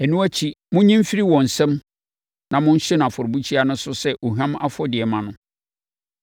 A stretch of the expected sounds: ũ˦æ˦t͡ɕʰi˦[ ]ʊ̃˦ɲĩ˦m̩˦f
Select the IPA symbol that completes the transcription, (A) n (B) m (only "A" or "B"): B